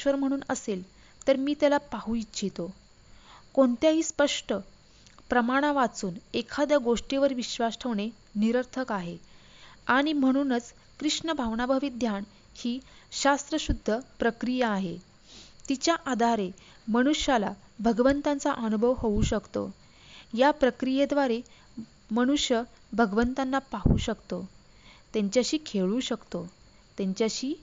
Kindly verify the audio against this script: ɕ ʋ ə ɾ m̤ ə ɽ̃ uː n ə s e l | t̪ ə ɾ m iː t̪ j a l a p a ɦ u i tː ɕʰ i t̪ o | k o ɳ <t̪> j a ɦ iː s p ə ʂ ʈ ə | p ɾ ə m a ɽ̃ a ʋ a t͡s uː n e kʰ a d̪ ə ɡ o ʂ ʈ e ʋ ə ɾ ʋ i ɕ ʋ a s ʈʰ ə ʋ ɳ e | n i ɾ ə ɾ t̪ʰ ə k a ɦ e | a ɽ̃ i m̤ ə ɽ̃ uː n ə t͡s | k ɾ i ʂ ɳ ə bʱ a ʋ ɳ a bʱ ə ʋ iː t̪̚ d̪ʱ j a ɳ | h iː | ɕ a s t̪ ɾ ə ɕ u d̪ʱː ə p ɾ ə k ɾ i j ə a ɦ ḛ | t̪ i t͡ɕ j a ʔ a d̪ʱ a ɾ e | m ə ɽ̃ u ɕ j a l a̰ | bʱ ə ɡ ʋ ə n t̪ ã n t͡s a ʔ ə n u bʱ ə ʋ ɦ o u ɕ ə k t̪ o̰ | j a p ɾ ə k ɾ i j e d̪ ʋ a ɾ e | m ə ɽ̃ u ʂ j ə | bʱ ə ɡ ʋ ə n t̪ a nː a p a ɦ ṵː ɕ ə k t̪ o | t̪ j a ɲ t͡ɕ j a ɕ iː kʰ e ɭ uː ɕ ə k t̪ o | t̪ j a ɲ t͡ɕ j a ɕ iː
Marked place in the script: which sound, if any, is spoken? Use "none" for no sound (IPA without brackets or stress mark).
t̪